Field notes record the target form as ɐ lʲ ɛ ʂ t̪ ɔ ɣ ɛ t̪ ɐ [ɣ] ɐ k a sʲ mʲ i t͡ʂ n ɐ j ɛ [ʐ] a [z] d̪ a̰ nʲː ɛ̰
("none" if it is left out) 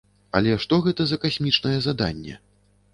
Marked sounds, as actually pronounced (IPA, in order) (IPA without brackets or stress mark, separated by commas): z, z, none